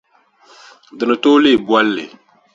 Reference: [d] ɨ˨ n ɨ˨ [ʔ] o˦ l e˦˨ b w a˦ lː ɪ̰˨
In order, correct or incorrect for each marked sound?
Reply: correct, incorrect: t

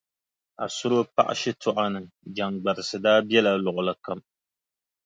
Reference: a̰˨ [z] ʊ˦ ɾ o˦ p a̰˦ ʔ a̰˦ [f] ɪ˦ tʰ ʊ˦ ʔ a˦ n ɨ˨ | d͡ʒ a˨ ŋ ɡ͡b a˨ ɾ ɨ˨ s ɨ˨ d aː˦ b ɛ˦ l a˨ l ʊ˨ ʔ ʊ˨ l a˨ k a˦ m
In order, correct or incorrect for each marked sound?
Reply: incorrect: s, incorrect: ʃ

